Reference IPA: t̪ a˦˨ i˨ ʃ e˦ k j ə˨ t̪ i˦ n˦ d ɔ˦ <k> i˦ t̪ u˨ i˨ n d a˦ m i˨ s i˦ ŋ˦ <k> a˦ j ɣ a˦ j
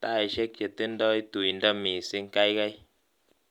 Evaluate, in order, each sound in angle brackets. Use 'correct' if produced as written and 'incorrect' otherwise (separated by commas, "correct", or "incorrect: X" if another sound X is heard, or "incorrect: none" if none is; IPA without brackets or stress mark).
incorrect: none, correct